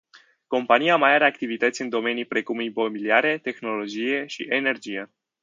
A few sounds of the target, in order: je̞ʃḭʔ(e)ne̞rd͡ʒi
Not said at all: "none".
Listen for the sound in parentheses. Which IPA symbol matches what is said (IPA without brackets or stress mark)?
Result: e